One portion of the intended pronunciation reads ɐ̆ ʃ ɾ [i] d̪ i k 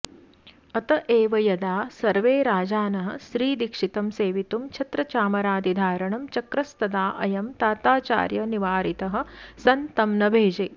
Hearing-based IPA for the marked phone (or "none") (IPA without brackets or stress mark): iː